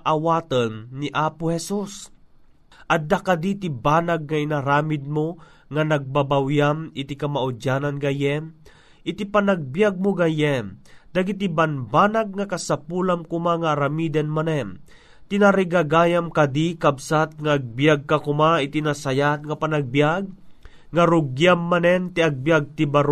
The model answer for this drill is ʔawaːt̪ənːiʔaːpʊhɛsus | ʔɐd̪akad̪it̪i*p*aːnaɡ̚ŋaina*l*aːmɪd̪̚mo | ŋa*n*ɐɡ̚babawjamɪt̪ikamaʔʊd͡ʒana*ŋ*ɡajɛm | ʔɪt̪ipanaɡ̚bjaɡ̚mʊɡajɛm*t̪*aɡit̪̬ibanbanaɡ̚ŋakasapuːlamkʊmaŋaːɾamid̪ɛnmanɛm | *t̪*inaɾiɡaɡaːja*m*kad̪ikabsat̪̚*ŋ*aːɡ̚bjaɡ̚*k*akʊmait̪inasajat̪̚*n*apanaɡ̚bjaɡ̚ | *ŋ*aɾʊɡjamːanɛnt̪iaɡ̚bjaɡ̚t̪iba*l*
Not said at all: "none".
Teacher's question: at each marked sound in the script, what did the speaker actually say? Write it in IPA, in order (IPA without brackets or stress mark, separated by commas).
b, ɾ, n, n, d̪, t̪, m, ŋ, k, ŋ, ŋ, ɾ